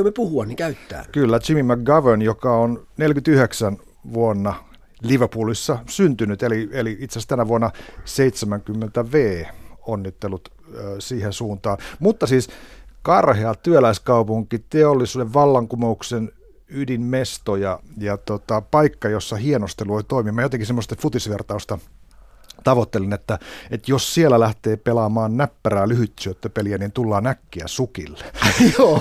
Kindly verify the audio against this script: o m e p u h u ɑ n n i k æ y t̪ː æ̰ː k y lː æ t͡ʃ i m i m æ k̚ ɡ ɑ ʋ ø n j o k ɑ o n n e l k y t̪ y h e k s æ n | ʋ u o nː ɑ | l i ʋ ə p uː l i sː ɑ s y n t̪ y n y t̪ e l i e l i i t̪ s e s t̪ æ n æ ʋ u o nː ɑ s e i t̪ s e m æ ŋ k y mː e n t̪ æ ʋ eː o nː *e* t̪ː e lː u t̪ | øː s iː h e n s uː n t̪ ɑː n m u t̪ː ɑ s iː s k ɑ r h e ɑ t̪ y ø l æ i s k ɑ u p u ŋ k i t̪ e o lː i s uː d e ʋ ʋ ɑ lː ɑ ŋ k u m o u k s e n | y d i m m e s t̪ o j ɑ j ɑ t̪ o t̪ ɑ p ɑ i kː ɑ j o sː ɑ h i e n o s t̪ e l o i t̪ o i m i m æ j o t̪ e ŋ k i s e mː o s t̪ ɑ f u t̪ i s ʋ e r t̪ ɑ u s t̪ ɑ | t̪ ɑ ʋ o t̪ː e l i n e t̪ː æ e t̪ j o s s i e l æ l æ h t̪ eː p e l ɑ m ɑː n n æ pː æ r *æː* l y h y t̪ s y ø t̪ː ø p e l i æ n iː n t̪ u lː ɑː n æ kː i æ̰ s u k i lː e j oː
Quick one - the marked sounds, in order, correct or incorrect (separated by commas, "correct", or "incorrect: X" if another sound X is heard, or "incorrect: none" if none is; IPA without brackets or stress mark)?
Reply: incorrect: i, correct